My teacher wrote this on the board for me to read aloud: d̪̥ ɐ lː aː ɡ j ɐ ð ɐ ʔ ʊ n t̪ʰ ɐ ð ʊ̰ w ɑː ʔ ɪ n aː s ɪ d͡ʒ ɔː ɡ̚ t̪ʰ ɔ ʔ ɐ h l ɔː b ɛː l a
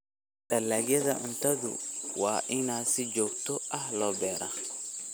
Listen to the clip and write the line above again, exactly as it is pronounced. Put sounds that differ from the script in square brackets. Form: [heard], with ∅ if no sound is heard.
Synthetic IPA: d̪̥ ɐ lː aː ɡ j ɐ ð ɐ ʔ ʊ n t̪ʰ ɐ ð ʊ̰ w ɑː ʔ ɪ n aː s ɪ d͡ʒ ɔː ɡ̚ t̪ʰ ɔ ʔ ɐ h l ɔː b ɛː [ɾ] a